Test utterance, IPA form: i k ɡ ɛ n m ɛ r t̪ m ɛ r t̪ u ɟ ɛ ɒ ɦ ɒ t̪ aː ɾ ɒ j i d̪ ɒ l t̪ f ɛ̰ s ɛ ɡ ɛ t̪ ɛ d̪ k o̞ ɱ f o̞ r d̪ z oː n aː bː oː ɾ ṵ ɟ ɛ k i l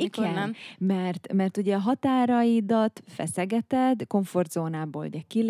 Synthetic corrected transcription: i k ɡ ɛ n m ɛ r t̪ m ɛ r t̪ u ɟ ɛ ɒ ɦ ɒ t̪ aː ɾ ɒ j i d̪ ɒ t̪ f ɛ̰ s ɛ ɡ ɛ t̪ ɛ d̪ k o̞ ɱ f o̞ r d̪ z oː n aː b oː l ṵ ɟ ɛ k i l